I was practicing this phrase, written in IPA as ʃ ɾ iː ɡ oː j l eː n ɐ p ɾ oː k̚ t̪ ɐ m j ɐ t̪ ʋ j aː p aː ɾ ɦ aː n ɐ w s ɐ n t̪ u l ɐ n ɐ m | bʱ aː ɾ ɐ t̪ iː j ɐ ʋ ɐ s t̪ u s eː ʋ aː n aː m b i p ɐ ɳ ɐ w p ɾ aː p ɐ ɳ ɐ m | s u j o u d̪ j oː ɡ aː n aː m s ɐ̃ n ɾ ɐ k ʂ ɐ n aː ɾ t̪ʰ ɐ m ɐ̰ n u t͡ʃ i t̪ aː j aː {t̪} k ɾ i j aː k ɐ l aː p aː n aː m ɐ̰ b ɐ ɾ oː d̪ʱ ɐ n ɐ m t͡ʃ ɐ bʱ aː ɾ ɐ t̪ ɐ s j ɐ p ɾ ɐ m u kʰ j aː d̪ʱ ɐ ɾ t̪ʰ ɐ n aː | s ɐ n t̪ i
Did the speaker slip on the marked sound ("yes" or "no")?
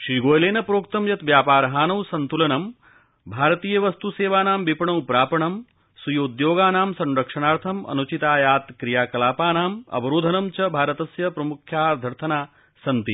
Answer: no